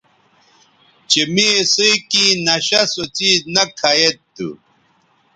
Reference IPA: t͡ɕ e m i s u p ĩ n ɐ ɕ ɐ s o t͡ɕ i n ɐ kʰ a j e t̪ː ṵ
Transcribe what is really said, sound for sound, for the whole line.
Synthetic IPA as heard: t͡ɕ e m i s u k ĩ n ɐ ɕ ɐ s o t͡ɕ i n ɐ kʰ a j e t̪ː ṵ